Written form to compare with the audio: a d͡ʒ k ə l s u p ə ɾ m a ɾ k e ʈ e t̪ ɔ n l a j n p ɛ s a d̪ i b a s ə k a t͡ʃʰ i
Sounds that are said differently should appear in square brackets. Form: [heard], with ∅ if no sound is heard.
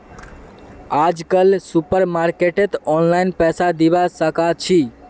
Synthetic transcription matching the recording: a d͡ʒ k ə l s u p ə ɾ m a ɾ k e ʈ e t̪ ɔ n l a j n p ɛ s a d̪ i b a s ə k a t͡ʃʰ i